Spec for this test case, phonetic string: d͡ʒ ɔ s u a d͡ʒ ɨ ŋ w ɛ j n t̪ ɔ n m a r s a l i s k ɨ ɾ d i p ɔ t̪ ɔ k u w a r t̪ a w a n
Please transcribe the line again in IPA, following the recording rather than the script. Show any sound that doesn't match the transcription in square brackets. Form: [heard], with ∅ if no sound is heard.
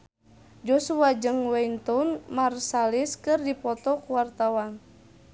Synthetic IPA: d͡ʒ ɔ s u a d͡ʒ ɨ ŋ w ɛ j n t̪ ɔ n m a r s a l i s k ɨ [r] d i p ɔ t̪ ɔ k u w a r t̪ a w a n